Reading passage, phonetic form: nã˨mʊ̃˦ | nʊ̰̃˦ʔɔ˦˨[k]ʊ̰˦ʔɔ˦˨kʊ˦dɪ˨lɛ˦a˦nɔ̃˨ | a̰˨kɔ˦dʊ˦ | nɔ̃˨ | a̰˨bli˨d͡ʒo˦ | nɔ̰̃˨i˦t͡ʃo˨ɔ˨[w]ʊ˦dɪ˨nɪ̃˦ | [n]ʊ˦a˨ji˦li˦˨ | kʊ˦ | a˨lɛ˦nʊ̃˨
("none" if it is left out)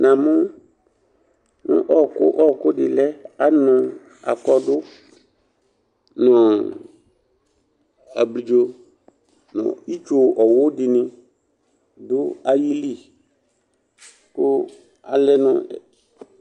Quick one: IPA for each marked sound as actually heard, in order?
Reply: k, w, d

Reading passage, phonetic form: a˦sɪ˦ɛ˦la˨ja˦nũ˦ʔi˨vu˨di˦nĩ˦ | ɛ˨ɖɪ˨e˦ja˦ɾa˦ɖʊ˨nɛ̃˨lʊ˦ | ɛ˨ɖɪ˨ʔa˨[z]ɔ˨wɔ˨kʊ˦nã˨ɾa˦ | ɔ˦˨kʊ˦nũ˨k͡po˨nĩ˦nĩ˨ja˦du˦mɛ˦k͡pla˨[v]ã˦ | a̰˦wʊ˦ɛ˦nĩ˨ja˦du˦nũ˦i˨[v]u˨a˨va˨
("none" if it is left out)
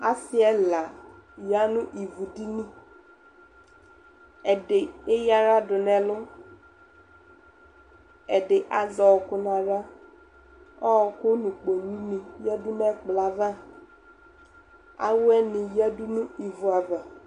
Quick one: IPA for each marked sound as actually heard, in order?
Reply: z, v, v

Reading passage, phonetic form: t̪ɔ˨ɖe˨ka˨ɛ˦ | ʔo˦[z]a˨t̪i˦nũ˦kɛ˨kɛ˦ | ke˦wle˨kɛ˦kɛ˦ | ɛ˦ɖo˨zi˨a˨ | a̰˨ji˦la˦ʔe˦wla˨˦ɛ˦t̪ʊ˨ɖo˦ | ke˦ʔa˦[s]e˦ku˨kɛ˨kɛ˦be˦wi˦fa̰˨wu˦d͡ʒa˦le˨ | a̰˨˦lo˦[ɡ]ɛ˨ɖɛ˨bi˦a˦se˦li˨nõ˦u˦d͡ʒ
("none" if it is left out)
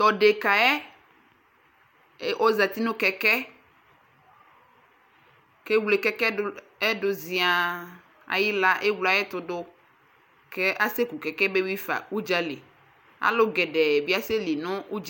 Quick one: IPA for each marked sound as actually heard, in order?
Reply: z, s, ɡ

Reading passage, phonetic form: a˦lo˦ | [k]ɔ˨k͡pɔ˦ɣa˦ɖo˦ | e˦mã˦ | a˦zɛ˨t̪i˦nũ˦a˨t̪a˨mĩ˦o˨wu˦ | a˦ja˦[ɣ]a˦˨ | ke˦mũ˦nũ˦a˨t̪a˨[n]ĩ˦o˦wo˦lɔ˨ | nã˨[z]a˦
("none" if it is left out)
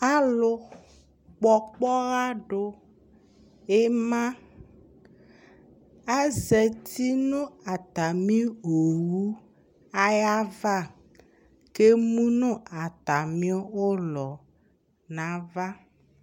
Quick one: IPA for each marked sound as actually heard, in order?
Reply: k͡p, v, m, v

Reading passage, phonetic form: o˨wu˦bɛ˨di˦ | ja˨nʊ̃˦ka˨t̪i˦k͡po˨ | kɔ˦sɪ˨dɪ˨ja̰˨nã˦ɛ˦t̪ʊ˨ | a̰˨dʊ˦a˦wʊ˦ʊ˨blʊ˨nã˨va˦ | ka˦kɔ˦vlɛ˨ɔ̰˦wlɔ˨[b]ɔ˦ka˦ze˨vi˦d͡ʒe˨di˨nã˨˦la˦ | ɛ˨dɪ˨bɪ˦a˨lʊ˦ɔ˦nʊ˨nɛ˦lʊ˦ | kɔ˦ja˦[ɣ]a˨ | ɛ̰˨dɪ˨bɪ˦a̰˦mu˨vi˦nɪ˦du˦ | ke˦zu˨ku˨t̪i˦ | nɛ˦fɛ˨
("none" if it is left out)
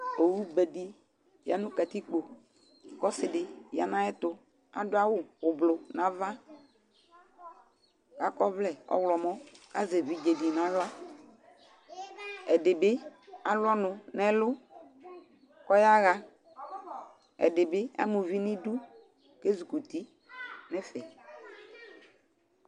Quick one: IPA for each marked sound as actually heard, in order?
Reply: m, ɣ

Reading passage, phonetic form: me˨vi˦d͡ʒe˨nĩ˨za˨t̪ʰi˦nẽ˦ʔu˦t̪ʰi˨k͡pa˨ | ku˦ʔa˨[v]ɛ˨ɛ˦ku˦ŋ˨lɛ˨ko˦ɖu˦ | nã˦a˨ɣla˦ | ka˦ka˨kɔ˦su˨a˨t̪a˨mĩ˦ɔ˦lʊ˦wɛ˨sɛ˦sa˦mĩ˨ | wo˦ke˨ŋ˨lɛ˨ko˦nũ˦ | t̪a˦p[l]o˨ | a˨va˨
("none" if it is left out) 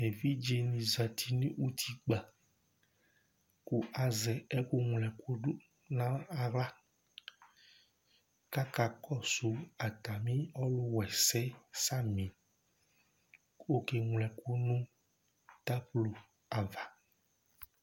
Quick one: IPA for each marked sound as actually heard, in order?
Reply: z, l

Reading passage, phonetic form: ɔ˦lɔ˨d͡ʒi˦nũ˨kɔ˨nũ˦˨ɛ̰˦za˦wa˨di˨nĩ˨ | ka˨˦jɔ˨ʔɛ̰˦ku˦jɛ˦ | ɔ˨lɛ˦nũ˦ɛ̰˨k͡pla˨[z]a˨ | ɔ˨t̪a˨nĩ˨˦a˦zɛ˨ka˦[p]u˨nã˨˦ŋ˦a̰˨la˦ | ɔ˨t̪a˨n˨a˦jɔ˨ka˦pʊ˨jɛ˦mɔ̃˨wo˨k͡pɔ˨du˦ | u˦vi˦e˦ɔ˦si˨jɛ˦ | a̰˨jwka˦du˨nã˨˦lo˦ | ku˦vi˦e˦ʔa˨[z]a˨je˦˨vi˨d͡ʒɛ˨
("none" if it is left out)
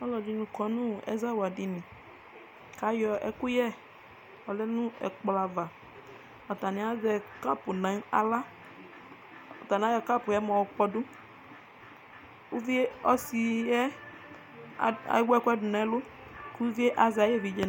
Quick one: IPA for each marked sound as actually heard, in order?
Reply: v, p, z

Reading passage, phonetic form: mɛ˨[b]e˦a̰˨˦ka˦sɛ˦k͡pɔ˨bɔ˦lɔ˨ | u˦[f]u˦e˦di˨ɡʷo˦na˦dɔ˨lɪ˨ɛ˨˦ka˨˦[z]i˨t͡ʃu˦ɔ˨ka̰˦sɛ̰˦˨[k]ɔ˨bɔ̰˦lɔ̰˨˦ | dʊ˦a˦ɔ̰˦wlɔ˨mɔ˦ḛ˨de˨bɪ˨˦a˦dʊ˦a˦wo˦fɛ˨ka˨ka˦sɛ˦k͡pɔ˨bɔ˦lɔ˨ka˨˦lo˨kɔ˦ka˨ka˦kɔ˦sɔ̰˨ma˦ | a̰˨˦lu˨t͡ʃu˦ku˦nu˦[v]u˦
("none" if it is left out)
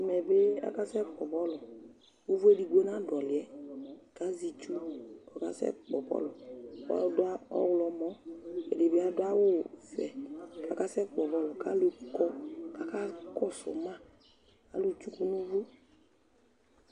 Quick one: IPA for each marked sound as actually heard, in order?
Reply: b, v, z, k͡p, v

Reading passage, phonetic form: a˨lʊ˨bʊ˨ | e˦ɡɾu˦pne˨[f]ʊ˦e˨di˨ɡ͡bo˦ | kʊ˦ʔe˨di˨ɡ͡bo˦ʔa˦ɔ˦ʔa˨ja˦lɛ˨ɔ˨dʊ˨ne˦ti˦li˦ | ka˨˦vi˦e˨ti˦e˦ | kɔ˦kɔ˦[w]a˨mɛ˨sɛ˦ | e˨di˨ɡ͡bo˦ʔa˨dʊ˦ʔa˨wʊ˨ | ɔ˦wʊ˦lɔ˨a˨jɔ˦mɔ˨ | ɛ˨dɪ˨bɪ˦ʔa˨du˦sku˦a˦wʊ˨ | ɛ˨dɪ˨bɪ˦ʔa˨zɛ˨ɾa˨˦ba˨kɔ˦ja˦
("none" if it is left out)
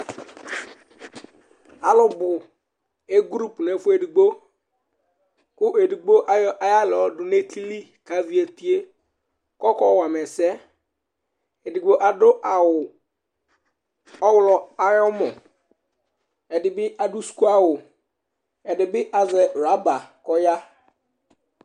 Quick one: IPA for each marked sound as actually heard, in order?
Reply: f, w

